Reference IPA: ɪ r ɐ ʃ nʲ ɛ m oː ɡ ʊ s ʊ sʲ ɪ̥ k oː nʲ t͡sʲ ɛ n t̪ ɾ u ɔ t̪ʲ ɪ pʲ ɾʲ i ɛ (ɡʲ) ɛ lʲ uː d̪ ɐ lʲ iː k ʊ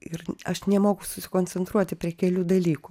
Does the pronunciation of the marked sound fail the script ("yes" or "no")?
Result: yes